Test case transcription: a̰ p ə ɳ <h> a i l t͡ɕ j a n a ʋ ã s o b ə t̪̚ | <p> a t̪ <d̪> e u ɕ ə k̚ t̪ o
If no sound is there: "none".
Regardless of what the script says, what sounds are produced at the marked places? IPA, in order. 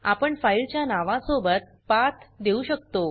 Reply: f, p, d̪

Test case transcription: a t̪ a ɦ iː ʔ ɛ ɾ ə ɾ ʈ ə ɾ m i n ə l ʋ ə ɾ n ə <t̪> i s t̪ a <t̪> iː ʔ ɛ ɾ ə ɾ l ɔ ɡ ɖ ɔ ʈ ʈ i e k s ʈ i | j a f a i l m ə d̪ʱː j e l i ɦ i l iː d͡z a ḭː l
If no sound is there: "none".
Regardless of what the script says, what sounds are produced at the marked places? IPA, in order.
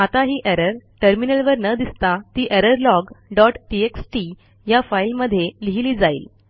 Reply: d̪, t̪

